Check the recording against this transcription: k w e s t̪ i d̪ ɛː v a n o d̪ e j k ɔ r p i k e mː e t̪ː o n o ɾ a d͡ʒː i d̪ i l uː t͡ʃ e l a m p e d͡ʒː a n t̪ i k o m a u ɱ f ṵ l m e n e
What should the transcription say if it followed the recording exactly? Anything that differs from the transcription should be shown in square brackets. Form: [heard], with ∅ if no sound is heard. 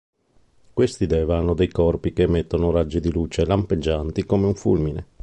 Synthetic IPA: k w e s t̪ i d̪ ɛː v a n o d̪ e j k ɔ r p i k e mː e t̪ː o n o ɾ a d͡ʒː i d̪ i l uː t͡ʃ e l a m p e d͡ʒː a n t̪ i k o m [e] u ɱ f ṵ l m [i] n e